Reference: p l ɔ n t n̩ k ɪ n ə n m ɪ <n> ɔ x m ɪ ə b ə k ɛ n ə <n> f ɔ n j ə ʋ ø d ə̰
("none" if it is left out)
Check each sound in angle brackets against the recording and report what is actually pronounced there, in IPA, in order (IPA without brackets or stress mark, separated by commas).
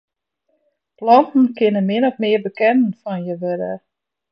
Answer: n, n